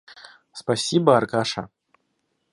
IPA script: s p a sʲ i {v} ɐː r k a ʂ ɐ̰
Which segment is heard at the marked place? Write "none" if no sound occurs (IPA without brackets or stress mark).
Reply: b